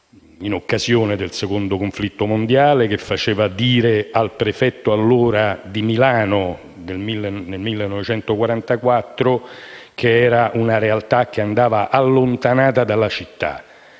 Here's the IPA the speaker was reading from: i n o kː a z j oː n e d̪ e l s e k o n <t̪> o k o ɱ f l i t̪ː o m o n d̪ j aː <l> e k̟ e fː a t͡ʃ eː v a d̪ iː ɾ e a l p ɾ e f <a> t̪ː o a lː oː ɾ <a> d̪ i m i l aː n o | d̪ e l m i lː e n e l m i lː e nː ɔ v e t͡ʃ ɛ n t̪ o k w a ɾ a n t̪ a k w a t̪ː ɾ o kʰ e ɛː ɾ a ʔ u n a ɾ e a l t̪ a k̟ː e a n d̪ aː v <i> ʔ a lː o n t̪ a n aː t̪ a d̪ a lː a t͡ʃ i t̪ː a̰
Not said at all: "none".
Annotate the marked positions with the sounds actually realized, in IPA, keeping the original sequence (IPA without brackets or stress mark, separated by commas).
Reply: d̪, l, ɛ, a, a